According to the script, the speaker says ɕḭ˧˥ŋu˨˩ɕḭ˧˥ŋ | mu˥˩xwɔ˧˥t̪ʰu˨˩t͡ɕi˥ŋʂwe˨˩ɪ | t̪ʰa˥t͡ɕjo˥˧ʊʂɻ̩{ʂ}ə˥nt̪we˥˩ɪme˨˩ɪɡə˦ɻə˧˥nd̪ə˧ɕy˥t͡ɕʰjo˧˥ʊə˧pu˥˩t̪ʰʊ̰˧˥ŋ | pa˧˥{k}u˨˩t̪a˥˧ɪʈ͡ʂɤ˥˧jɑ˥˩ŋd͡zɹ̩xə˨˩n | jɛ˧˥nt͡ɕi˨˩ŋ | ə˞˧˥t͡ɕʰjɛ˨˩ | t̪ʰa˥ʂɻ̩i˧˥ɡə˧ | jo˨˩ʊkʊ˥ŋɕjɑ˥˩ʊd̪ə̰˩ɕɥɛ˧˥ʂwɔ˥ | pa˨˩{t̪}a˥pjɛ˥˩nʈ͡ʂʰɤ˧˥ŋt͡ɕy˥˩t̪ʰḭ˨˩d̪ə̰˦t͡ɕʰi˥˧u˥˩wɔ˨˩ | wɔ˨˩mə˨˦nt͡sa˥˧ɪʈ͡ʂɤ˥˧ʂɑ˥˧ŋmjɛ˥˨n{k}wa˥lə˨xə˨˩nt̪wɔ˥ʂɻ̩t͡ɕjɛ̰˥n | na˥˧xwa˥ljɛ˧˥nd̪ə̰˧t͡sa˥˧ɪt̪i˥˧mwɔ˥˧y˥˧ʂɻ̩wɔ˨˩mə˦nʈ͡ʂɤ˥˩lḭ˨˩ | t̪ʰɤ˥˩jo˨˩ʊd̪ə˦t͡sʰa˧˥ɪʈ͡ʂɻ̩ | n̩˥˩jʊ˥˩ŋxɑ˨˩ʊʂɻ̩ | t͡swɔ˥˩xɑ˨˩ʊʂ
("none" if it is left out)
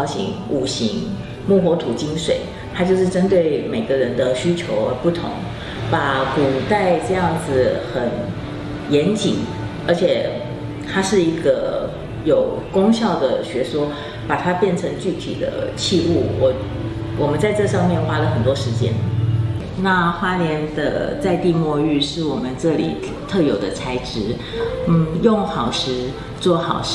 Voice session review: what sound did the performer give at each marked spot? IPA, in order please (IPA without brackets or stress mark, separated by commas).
ʈ͡ʂ, k, t̪ʰ, x